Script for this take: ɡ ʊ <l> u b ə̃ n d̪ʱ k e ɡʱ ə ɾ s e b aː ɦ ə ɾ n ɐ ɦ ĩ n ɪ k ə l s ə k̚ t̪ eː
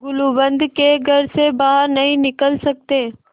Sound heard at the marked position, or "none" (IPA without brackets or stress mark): l